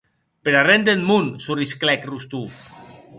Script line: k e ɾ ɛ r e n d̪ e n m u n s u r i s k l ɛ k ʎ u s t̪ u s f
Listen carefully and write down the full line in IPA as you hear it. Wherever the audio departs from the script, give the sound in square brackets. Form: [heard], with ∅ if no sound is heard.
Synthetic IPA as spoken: [p] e ɾ [a] r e n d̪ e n m u n s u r i s k l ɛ k [r] u s t̪ u [∅] f